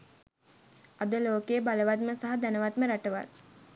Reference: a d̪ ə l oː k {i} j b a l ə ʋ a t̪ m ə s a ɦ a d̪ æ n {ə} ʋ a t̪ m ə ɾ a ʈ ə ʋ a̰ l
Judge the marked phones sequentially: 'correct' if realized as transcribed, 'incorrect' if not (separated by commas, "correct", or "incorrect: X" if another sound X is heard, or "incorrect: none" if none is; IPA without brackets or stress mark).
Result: incorrect: e, correct